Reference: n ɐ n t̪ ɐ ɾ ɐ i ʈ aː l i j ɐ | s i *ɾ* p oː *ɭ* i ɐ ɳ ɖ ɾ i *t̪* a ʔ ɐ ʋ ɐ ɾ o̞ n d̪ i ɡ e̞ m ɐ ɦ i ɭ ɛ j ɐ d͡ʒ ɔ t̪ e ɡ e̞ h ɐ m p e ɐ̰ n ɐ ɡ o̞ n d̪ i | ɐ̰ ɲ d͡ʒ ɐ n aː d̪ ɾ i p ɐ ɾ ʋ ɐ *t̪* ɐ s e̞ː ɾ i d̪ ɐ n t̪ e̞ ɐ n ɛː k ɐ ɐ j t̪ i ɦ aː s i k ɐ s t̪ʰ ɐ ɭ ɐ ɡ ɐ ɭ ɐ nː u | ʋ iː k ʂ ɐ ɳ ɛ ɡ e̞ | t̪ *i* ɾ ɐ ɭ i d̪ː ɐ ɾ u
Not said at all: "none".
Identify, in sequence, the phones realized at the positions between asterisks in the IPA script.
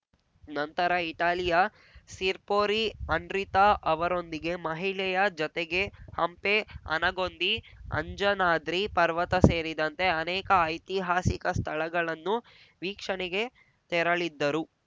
ɾ, ɾ, t̪, t̪, ɛ

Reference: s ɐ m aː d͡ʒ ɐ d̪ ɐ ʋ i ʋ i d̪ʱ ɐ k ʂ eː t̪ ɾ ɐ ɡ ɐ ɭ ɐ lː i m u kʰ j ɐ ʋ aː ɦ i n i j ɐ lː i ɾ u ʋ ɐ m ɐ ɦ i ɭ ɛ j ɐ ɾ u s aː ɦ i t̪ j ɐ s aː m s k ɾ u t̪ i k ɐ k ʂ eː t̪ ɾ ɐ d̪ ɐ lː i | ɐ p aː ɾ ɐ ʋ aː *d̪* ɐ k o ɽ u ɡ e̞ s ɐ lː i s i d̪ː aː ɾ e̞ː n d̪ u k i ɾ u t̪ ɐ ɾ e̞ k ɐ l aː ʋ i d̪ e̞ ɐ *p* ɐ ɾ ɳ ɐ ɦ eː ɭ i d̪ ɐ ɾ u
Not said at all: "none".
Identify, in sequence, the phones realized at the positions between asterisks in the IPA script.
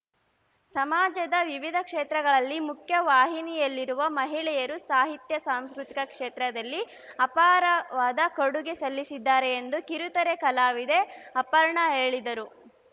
d̪, p

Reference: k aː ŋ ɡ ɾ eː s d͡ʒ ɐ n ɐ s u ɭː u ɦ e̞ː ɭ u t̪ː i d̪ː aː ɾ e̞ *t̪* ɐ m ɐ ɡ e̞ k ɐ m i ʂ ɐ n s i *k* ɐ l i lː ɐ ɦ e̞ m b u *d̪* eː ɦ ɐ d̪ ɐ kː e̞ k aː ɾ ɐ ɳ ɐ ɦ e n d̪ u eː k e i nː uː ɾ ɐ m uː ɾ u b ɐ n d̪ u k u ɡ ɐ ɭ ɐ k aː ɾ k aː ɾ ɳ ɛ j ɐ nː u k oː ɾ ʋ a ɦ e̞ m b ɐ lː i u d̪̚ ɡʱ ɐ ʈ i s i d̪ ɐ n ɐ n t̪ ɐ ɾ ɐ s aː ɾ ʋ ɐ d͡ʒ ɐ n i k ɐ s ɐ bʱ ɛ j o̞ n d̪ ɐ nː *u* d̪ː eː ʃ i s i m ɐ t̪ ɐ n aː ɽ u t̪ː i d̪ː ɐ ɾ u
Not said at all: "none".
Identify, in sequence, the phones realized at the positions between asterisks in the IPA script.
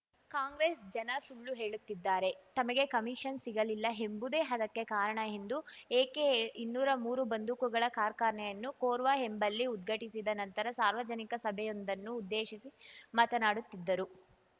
t̪, ɡ, d̪, uː

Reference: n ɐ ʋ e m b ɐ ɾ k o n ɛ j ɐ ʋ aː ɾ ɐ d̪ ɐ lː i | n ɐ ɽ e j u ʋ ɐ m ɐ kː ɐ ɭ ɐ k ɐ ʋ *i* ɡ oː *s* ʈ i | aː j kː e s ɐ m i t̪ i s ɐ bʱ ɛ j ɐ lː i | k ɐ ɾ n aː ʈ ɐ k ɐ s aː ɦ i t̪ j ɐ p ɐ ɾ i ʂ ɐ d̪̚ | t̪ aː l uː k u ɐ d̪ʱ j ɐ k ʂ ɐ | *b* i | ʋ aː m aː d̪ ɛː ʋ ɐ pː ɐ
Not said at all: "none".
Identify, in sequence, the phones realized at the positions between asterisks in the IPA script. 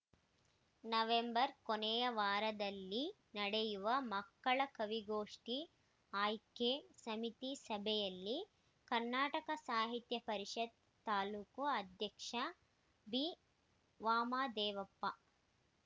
i, ʂ, b

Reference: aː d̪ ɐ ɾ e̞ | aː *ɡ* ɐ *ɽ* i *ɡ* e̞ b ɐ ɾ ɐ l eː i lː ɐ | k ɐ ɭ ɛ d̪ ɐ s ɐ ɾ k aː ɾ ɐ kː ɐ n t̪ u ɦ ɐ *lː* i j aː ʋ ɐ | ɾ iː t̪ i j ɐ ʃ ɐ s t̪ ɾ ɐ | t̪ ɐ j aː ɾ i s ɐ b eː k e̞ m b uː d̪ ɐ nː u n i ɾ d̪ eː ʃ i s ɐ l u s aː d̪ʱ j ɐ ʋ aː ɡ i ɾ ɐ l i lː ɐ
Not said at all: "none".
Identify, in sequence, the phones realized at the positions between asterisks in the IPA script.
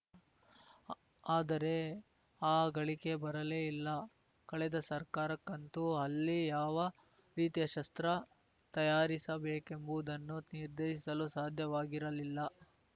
ɡ, ɭ, k, lː

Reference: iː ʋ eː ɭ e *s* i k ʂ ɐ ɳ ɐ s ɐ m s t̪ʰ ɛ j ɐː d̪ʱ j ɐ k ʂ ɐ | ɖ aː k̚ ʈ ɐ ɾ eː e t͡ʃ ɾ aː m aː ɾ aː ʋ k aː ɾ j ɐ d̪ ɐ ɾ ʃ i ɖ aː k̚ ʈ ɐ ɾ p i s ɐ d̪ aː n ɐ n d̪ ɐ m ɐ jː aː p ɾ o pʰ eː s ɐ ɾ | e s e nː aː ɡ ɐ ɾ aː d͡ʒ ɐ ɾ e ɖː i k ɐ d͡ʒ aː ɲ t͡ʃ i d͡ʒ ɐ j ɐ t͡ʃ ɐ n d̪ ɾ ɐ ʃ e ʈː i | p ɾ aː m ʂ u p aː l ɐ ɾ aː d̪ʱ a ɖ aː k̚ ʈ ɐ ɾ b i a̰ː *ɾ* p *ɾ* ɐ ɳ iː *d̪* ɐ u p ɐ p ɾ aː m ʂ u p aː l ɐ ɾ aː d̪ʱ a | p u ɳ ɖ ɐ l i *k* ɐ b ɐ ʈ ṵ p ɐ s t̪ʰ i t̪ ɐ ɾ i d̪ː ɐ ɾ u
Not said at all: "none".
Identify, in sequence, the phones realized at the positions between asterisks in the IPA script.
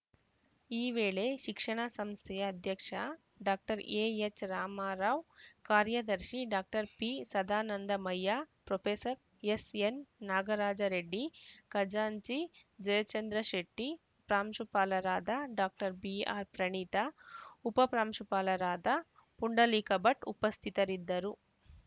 ʃ, ɾ, ɾ, t̪, k

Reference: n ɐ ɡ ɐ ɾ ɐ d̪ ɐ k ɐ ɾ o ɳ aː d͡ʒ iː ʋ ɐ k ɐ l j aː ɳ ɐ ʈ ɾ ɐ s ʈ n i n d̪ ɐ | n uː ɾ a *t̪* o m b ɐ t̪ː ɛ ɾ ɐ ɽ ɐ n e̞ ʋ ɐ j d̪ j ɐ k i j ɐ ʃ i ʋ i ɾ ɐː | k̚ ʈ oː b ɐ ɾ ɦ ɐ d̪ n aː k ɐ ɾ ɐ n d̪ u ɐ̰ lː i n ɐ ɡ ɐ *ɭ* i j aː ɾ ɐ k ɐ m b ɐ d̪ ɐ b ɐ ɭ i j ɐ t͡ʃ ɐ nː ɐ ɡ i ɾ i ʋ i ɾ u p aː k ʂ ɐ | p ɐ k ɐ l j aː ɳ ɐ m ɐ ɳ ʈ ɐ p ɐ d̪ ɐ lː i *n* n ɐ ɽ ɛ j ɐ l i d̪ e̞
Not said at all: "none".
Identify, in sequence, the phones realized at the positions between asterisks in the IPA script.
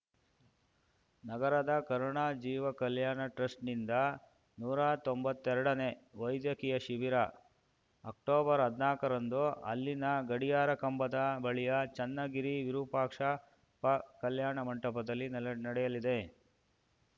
t̪, ɽ, n

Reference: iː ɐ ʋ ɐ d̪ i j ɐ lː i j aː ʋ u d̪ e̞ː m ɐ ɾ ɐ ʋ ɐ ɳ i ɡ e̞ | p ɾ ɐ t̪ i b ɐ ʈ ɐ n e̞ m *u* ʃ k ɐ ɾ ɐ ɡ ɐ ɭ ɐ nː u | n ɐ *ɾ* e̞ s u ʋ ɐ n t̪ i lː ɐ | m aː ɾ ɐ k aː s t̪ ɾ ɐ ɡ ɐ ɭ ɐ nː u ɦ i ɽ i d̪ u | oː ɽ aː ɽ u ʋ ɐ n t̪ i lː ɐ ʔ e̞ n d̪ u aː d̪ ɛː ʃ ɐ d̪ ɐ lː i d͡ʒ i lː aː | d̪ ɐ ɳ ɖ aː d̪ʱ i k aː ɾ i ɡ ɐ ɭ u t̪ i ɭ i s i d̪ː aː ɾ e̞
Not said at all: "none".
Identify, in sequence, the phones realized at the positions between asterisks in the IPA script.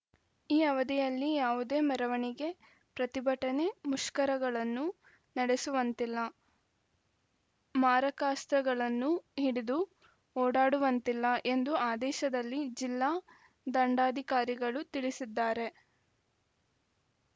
u, ɽ

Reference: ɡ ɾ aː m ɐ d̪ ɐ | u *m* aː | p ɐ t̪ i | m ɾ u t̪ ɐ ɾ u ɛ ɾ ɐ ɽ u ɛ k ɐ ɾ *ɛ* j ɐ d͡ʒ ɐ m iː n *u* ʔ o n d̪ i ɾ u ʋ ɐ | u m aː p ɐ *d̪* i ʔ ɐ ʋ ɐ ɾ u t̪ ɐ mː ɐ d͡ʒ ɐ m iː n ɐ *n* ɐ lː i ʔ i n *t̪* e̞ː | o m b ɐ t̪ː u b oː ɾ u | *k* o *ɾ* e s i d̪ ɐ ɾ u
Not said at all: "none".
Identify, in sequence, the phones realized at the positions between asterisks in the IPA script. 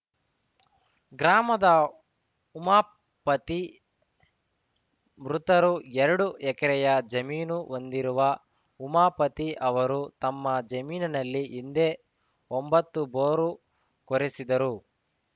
m, ɛ, u, t̪, n, d̪, k, ɾ

